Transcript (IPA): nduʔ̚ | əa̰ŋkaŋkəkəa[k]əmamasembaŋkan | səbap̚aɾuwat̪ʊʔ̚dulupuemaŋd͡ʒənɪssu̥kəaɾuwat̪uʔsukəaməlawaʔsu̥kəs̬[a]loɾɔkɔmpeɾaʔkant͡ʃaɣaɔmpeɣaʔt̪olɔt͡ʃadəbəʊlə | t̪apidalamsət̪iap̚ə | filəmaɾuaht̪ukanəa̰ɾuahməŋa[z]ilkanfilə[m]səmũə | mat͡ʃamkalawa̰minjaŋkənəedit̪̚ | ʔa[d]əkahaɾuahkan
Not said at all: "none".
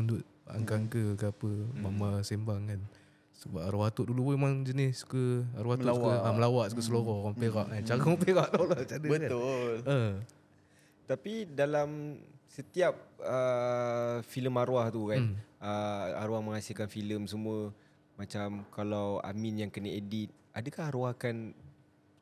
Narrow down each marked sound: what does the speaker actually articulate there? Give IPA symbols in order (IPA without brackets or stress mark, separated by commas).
p, ə, s, m, d